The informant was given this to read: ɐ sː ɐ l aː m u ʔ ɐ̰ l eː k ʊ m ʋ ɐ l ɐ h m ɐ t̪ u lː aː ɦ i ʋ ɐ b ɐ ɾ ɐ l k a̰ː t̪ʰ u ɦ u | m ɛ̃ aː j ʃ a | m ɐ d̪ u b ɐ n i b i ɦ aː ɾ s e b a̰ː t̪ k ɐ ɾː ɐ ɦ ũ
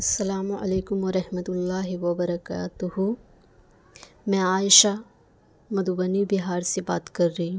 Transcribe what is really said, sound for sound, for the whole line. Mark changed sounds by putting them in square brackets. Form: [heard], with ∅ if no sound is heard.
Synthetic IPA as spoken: ɐ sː ɐ l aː m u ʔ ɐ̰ l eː k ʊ m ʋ ɐ [ɾ] ɐ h m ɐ t̪ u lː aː ɦ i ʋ ɐ b ɐ ɾ ɐ [∅] k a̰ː [t̪] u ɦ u | m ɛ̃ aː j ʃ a | m ɐ d̪ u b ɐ n i b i ɦ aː ɾ s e b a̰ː t̪ k ɐ ɾː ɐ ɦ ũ